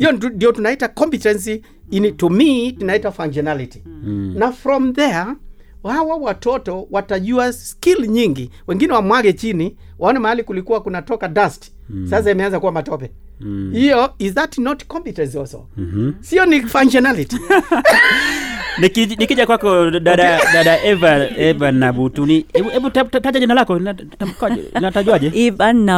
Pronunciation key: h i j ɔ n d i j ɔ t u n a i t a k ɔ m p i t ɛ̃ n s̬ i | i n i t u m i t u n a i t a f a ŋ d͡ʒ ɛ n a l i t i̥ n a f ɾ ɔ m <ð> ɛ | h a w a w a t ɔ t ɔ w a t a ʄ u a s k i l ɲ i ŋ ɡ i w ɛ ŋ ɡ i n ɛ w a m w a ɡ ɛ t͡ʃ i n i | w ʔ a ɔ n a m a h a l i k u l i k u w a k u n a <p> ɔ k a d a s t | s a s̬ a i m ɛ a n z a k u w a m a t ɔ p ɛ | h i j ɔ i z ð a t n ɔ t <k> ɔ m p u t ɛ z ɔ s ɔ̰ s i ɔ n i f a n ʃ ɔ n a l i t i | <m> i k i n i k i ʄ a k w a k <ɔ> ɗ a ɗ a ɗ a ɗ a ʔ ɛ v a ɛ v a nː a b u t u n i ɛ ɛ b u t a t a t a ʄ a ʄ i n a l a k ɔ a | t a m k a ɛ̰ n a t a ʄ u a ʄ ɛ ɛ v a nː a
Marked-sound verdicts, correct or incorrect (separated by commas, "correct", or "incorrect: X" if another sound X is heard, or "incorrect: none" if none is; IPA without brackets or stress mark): correct, incorrect: t, correct, incorrect: n, correct